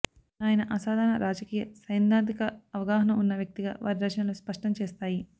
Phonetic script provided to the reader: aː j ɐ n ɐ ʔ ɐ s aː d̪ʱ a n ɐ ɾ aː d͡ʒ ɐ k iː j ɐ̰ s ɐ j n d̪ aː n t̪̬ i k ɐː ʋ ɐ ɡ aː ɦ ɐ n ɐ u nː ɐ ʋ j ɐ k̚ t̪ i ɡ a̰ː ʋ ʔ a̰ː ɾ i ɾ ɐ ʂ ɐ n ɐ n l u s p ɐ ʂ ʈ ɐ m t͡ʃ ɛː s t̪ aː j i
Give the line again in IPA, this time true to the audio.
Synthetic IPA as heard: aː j ɐ n ɐ ʔ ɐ s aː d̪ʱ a n ɐ ɾ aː d͡ʒ ɐ k iː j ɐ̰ s ɐ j n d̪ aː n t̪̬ i k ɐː ʋ ɐ ɡ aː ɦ ɐ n ɐ u nː ɐ ʋ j ɐ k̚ t̪ i ɡ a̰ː ʋ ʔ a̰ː ɾ i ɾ ɐ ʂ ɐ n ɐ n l u s p ɐ ʂ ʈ ɐ m t͡ʃ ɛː s t̪ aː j i